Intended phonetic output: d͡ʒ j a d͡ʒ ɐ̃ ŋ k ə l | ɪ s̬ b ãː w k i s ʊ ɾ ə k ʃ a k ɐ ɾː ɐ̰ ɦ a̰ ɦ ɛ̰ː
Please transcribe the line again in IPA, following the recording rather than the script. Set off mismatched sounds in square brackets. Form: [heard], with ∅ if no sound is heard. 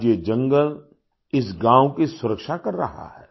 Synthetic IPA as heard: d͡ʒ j [e] d͡ʒ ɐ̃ ŋ [ɡ] ə l | ɪ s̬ [ɡ] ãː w k i s ʊ ɾ ə k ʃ a k ɐ ɾː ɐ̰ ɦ a̰ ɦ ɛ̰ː

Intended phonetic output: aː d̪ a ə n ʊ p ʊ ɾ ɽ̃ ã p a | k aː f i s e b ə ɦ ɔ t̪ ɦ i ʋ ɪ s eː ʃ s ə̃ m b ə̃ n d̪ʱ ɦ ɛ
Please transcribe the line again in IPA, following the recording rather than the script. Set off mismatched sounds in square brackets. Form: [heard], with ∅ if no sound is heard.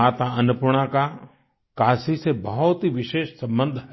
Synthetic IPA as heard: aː [t̪] a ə n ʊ p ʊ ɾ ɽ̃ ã [k] a | k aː [s] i s e b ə ɦ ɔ t̪ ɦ i ʋ ɪ [ʃ] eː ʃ s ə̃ m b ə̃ n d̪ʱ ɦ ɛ

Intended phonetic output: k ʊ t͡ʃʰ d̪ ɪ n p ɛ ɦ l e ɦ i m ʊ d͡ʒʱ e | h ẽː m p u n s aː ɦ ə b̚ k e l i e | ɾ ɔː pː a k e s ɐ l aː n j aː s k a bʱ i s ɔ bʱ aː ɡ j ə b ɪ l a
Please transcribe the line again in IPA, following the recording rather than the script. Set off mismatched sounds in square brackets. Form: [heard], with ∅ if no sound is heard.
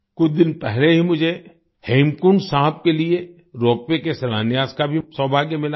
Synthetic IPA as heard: k ʊ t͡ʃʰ d̪ ɪ n p ɛ ɦ l e ɦ i m ʊ d͡ʒʱ e | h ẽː m [k] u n s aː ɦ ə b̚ k e l i e | ɾ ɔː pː [e] k e s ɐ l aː n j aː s k a bʱ i s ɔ bʱ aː ɡ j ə [m] ɪ l a

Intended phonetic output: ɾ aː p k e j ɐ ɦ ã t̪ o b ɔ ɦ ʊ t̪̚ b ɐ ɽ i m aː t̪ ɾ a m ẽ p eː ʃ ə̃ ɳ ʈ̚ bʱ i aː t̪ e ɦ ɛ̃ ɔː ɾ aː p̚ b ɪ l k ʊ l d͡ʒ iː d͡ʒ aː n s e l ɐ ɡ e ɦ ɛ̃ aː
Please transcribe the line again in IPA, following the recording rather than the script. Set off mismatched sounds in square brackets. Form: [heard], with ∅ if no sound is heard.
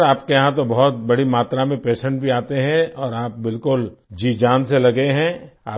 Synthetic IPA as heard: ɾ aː p k e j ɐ ɦ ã t̪ o b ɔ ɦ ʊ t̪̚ b ɐ ɽ i m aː t̪ ɾ a m ẽ p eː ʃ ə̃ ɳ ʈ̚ bʱ i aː t̪ e ɦ ɛ̃ ɔː ɾ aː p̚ b ɪ l k ʊ l d͡ʒ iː d͡ʒ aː n s e l ɐ ɡ e ɦ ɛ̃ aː

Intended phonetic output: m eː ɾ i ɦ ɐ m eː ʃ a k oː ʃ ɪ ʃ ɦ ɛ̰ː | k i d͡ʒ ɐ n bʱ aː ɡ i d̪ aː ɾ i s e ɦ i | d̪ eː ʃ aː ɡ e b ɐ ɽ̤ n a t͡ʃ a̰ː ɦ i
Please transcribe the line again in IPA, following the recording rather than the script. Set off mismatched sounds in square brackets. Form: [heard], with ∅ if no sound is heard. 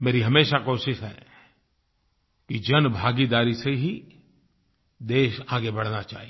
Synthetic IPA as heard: m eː ɾ i ɦ ɐ m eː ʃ a k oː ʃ ɪ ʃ ɦ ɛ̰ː | k i d͡ʒ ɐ n bʱ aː ɡ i d̪ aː ɾ i s e ɦ i | d̪ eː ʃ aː ɡ e b ɐ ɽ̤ n a t͡ʃ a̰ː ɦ i

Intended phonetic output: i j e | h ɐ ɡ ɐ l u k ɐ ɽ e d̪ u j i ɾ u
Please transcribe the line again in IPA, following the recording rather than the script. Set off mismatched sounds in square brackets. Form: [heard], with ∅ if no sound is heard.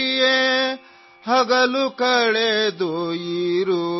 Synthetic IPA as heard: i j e | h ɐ ɡ ɐ l u k ɐ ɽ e d̪ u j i ɾ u

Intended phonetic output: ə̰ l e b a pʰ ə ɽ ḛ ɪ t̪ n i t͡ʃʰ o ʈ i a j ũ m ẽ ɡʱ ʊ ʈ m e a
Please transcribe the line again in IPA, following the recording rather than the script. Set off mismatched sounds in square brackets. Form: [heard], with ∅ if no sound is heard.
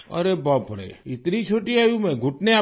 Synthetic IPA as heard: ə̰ [ɾ] e b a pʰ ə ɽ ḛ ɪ t̪ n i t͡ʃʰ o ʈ i a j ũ m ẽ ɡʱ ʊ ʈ [n] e a

